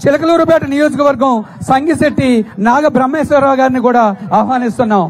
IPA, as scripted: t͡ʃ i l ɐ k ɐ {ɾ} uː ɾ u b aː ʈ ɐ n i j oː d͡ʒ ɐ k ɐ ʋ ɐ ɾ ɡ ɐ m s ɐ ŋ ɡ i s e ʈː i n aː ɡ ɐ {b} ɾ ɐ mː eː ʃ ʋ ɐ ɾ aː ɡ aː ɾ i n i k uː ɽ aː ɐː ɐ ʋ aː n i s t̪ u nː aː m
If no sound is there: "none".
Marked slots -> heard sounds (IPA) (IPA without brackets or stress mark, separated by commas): l, b